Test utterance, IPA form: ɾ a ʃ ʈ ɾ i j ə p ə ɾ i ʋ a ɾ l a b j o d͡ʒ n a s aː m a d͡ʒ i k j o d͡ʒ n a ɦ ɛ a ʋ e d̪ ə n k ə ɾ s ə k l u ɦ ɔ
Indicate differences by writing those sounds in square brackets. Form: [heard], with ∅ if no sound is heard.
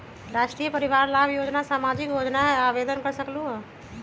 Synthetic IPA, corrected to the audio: ɾ a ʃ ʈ ɾ i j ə p ə ɾ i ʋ a ɾ l a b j o d͡ʒ n a s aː m a d͡ʒ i k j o d͡ʒ n a ɦ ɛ a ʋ e d̪ ə n k ə ɾ s ə k l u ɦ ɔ